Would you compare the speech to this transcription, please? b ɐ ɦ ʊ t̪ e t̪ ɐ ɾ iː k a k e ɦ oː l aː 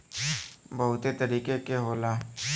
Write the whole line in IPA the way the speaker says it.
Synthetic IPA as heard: b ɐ ɦ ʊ t̪ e t̪ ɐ ɾ iː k e k e ɦ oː l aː